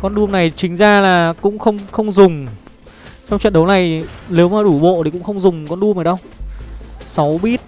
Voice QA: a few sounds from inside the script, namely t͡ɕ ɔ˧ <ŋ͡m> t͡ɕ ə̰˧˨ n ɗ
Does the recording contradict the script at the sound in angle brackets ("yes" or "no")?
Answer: no